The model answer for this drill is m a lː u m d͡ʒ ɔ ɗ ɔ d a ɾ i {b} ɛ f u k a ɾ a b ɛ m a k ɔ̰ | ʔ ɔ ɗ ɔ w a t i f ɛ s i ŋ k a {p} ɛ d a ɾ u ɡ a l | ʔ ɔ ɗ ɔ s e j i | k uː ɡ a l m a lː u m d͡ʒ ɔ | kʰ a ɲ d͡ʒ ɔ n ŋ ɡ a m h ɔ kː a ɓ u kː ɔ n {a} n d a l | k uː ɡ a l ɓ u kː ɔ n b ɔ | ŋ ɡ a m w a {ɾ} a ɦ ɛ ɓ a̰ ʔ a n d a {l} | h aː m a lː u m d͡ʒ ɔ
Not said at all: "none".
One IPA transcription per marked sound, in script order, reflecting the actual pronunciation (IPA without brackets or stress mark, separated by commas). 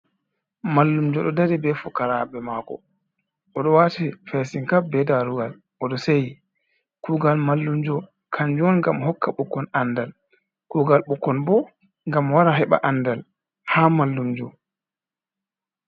b, b, a, ɾ, l